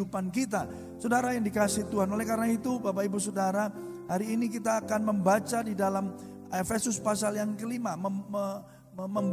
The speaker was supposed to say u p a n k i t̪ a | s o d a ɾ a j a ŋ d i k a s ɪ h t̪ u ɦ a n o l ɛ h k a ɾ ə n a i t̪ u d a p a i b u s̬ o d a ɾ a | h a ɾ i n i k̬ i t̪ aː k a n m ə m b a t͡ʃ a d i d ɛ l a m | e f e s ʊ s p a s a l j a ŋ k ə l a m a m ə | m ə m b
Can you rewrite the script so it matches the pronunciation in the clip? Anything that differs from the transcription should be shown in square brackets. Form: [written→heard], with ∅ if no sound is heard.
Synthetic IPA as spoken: u p a n k i t̪ a | s o d a ɾ a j a ŋ d i k a s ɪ h t̪ u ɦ a n o l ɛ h k a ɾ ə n a i t̪ u [d→b] a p a i b u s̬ o d a ɾ a | h a ɾ [i→iː] n i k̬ i t̪ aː k a n m ə m b a t͡ʃ a d i d [ɛ→a] l a m | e f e s ʊ s p a s a l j a ŋ k ə l [a→i] m a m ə | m ə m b